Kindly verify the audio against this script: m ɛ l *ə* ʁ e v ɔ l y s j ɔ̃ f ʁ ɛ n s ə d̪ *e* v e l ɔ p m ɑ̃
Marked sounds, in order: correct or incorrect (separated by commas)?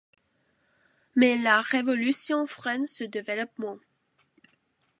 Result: incorrect, correct